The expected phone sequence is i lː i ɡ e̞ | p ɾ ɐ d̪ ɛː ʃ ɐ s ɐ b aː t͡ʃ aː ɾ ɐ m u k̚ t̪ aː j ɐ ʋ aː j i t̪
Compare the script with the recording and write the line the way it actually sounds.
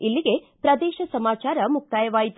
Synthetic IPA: i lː i ɡ e̞ | p ɾ ɐ d̪ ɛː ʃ ɐ s ɐ m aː t͡ʃ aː ɾ ɐ m u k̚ t̪ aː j ɐ ʋ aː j i t̪